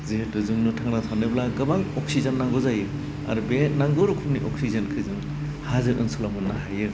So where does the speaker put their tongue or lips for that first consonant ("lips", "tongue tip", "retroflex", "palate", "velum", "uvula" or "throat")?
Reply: tongue tip